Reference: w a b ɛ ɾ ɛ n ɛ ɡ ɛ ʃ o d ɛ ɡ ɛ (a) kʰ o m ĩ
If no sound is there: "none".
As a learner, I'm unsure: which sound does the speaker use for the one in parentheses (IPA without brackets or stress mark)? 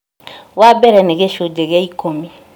i